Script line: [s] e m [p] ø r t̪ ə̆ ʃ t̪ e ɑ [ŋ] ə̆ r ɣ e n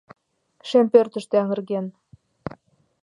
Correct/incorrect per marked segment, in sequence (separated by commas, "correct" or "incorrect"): incorrect, correct, correct